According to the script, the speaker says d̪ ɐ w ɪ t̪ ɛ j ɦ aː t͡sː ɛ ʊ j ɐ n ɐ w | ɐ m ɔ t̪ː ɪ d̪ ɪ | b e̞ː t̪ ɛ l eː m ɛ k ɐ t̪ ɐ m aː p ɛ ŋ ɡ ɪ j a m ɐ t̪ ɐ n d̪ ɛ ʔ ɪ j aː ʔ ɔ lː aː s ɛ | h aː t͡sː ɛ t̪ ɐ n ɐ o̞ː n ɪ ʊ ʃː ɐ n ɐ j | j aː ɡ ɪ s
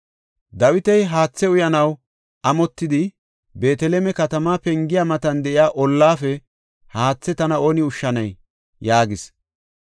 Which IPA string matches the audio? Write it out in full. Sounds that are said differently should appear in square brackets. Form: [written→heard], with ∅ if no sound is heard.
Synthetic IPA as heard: d̪ ɐ w ɪ t̪ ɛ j ɦ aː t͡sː ɛ ʊ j ɐ n ɐ w | ɐ m ɔ t̪ː ɪ d̪ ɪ | b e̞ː t̪ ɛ l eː m ɛ k ɐ t̪ ɐ m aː p ɛ ŋ ɡ ɪ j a m ɐ t̪ ɐ n d̪ ɛ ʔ ɪ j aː ʔ ɔ lː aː [s→f] ɛ | h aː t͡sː ɛ t̪ ɐ n ɐ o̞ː n ɪ ʊ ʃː ɐ n ɐ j | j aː ɡ ɪ s